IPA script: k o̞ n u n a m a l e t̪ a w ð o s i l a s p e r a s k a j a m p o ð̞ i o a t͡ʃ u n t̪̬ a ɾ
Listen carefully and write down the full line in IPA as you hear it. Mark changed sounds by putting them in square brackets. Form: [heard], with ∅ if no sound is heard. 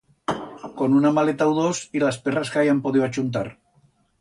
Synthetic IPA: k o̞ n u n a m a l e t̪ a w ð o s i l a s p e r a s k a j a m p o ð̞ i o a t͡ʃ u n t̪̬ a ɾ

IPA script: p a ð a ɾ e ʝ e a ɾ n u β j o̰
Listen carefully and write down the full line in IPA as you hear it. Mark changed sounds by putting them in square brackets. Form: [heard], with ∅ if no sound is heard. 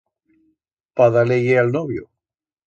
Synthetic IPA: p a ð a [l] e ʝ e a [l] n [o] β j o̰

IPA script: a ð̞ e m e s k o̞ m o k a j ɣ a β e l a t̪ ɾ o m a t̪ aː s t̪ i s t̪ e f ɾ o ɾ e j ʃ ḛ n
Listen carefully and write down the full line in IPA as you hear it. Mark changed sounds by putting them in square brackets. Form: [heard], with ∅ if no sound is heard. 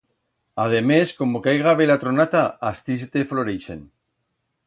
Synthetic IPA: a ð̞ e m e s k o̞ m o k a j ɣ a β e l a t̪ ɾ o [n] a t̪ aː s t̪ i s t̪ e f [l] o ɾ e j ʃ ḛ n

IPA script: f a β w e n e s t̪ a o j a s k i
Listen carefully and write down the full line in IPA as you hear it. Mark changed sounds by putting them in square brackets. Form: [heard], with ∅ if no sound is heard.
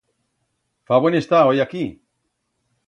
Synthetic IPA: f a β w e n e s t̪ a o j a [∅] k i

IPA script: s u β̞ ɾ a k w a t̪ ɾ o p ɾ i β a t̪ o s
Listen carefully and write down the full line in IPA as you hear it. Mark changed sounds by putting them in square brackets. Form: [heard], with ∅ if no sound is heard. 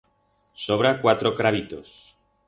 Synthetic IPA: s [o] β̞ ɾ a k w a t̪ ɾ o [k] ɾ [a] β [i] t̪ o s

